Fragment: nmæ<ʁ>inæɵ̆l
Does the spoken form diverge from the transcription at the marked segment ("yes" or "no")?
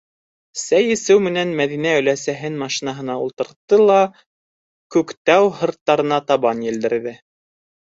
yes